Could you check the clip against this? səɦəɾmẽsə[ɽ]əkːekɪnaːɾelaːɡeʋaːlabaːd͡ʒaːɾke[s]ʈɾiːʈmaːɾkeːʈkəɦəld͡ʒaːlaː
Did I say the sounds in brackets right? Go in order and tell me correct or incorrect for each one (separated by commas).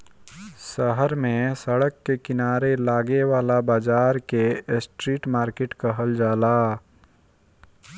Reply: correct, correct